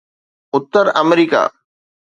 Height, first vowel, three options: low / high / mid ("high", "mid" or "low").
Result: high